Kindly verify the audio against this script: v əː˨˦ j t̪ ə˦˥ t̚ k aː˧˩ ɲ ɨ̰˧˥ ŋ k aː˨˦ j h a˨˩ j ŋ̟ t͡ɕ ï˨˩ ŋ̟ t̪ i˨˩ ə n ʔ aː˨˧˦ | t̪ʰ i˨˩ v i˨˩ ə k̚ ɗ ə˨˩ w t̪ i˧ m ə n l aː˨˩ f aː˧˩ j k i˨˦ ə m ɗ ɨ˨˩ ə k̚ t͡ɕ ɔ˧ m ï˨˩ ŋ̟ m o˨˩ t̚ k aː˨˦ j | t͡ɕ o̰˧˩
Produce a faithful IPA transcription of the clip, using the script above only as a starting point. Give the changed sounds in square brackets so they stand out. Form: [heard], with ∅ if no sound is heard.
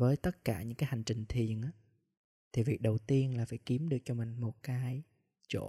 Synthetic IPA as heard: v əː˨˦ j t̪ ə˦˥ t̚ k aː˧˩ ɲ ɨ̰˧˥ ŋ k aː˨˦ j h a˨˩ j ŋ̟ t͡ɕ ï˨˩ ŋ̟ [t̪ʰ] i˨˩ ə n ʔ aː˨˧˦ | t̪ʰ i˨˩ v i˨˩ ə k̚ ɗ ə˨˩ w t̪ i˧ [∅] ə n l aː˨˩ f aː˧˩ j k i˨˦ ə m ɗ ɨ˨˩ ə k̚ t͡ɕ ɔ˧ m ï˨˩ ŋ̟ m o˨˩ t̚ k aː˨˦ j | t͡ɕ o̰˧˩